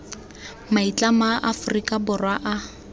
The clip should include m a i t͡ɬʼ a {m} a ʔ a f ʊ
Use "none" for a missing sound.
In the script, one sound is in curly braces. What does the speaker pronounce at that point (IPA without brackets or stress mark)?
m